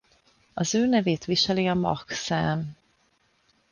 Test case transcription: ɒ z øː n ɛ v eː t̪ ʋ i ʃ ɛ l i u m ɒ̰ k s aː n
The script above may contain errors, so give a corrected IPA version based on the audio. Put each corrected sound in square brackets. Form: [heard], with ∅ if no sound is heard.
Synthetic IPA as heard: ɒ z øː n ɛ v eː t̪ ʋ i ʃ ɛ l i [ɒ] m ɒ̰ k s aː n